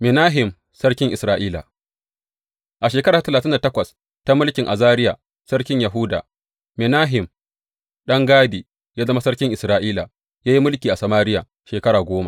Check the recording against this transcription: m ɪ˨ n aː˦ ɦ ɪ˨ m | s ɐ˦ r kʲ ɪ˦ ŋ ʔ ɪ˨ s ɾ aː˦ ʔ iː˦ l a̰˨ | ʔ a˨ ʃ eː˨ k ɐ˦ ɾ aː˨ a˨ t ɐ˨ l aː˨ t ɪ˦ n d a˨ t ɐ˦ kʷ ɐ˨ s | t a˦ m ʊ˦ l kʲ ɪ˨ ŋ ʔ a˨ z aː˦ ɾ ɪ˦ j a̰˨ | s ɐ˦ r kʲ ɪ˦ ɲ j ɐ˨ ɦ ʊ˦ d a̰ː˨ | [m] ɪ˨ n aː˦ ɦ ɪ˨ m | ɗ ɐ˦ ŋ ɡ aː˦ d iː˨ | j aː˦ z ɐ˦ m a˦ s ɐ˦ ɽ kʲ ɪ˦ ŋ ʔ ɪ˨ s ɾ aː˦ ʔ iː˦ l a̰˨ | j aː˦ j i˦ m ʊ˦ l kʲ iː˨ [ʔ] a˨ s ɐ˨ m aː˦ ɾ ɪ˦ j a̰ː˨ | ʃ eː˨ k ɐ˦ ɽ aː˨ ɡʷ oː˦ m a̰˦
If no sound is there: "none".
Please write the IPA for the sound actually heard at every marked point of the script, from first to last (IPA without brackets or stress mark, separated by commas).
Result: m, ʔ